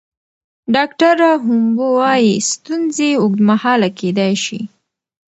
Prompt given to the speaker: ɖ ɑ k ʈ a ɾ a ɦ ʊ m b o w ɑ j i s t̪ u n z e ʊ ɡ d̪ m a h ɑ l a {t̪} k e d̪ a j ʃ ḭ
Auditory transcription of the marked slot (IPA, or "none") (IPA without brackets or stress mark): none